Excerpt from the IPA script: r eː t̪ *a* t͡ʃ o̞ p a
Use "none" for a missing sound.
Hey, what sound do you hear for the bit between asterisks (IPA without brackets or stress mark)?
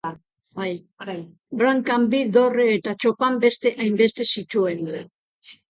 a